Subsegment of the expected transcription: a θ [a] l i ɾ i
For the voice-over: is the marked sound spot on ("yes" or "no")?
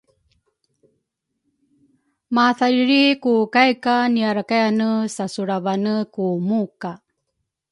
yes